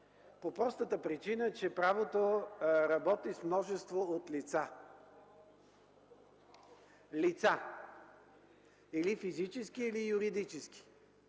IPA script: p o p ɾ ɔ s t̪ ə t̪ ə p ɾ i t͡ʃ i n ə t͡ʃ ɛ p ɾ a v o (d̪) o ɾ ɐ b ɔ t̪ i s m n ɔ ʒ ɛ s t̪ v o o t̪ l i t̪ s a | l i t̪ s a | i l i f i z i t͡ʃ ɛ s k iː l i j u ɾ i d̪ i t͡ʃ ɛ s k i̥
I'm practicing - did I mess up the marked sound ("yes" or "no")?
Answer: yes